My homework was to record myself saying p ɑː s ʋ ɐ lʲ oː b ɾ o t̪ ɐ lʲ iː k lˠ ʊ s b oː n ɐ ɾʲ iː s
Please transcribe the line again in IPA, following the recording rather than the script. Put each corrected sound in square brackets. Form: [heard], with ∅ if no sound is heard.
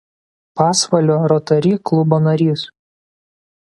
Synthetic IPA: p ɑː s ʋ ɐ lʲ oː [∅] ɾ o t̪ ɐ [ɾʲ] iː k lˠ ʊ [∅] b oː n ɐ ɾʲ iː s

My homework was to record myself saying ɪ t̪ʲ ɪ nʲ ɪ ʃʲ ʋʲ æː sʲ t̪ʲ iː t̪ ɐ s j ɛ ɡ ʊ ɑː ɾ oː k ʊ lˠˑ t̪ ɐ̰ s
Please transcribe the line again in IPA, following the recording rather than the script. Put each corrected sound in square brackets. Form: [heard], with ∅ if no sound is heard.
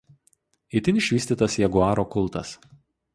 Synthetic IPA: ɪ t̪ʲ ɪ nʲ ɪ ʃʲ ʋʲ [iː] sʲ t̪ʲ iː t̪ ɐ s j ɛ ɡ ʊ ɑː ɾ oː k ʊ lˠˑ t̪ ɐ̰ s

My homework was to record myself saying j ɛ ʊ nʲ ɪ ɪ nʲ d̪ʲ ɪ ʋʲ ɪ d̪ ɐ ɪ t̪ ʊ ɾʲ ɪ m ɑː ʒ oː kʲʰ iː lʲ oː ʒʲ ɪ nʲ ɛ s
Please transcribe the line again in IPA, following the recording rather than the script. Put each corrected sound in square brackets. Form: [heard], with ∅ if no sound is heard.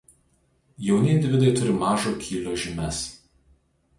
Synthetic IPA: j ɛ ʊ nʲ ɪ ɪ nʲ d̪ʲ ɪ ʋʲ ɪ d̪ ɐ ɪ t̪ ʊ ɾʲ ɪ m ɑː ʒ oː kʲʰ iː lʲ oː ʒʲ ɪ [mʲ] ɛ s

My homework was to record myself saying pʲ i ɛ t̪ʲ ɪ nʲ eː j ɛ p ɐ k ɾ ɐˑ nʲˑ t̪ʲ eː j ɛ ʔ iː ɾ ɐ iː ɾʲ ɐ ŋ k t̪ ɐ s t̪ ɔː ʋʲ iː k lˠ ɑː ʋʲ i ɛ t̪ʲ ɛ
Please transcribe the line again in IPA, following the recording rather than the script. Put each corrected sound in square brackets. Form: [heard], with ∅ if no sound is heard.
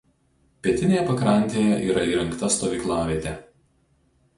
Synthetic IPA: pʲ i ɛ t̪ʲ ɪ nʲ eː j ɛ p ɐ k ɾ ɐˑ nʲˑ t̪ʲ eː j ɛ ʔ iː ɾ ɐ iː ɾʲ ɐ ŋ k t̪ ɐ s t̪ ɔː ʋʲ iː k lˠ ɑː ʋʲ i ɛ t̪ʲ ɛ

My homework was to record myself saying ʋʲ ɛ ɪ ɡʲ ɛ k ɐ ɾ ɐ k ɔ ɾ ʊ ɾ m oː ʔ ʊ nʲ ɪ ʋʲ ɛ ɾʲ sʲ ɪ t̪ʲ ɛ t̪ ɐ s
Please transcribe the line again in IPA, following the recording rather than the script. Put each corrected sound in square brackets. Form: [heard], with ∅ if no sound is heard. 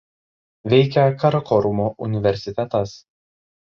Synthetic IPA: ʋʲ ɛ ɪ [kʲ] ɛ k ɐ ɾ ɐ k ɔ ɾ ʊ [∅] m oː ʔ ʊ nʲ ɪ ʋʲ ɛ ɾʲ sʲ ɪ t̪ʲ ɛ t̪ ɐ s

